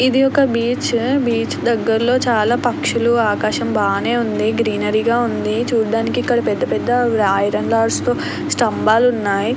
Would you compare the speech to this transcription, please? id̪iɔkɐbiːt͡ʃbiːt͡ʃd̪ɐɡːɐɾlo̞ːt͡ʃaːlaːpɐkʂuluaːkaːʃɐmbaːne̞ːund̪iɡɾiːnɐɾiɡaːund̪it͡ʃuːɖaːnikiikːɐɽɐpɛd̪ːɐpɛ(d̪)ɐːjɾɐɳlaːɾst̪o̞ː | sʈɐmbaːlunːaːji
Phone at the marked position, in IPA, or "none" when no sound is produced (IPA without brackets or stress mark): d̪ː